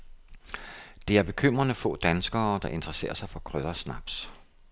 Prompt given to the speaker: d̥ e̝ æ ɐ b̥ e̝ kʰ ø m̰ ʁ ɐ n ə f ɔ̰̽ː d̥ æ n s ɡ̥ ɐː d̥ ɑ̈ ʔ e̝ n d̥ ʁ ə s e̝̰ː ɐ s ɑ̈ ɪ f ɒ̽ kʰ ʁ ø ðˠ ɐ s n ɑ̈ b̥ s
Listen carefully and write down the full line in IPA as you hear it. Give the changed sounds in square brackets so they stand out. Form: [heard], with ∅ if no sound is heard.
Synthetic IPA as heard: d̥ e̝ æ ɐ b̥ e̝ kʰ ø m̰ ʁ ɐ n ə f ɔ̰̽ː d̥ æ n s ɡ̥ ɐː d̥ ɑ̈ ʔ e̝ n d̥ ʁ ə s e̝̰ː ɐ s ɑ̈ ɪ f ɒ̽ kʰ ʁ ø ðˠ ɐ s n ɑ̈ b̥ s